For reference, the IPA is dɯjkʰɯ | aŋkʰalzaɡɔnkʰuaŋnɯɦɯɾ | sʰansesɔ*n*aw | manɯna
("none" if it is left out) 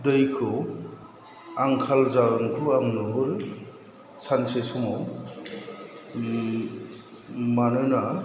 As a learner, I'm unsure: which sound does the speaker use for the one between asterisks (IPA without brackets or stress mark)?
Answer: m